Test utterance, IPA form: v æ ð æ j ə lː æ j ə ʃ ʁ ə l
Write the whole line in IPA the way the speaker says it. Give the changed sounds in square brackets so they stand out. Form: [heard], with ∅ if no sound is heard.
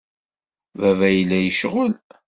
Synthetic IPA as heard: v æ [v] æ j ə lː æ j ə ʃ ʁ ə l